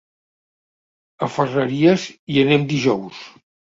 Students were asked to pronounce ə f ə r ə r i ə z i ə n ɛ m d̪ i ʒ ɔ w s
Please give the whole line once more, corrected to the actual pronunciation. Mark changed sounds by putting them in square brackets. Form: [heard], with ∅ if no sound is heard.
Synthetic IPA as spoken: ə f ə r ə [ɾ] i ə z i ə n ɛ m d̪ i ʒ ɔ w s